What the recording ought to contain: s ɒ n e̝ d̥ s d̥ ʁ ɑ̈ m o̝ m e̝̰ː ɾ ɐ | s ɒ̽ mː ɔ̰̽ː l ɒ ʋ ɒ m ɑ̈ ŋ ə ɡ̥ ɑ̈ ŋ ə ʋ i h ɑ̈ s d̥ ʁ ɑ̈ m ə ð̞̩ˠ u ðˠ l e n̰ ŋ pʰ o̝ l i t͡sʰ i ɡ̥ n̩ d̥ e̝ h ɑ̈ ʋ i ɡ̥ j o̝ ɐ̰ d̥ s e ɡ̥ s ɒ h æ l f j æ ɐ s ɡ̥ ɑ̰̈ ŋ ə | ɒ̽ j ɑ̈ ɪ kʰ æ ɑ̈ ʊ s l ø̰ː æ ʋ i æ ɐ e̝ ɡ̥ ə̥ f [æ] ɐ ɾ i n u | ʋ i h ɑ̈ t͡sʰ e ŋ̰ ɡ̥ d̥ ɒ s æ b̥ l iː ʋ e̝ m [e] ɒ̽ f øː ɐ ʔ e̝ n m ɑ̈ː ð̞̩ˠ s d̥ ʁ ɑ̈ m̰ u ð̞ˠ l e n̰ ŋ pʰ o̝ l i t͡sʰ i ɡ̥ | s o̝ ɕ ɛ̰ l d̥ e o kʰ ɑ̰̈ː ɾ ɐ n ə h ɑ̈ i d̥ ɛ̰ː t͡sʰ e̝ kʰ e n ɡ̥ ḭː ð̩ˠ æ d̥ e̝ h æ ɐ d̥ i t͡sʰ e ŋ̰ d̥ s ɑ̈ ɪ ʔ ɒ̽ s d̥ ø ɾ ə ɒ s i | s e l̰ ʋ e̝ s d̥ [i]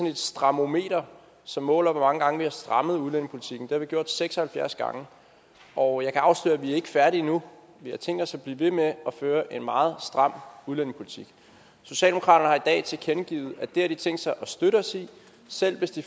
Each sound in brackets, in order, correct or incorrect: correct, correct, correct

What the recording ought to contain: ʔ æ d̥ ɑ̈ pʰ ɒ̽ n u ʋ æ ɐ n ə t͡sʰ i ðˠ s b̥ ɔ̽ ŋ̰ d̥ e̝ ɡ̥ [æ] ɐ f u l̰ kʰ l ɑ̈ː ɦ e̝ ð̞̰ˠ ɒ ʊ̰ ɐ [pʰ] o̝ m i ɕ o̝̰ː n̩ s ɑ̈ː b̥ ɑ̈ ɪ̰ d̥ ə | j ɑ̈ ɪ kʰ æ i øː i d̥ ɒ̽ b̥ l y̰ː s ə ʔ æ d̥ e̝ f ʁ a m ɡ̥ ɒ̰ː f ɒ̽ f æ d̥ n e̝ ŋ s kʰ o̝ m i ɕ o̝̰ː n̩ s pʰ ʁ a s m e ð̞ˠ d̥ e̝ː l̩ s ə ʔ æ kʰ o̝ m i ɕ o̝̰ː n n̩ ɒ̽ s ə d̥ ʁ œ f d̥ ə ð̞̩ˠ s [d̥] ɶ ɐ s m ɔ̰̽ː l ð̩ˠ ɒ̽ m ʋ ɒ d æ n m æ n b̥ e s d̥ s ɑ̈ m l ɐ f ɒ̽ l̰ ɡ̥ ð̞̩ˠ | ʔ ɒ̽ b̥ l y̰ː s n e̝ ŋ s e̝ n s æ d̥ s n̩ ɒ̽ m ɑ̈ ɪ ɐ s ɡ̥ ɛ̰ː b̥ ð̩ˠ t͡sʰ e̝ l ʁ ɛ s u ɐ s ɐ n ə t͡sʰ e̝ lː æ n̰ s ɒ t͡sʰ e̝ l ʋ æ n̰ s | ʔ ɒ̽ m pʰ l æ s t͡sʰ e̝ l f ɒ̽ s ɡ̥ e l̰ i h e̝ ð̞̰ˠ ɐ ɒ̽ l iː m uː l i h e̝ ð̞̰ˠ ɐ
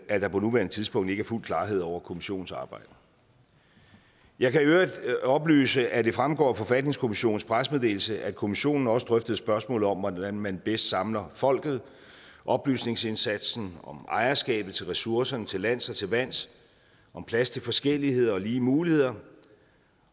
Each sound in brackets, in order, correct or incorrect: correct, incorrect, incorrect

